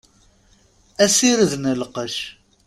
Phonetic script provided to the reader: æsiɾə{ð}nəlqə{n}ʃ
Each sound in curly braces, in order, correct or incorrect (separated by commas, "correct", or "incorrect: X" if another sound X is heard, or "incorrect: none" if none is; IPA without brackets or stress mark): correct, incorrect: none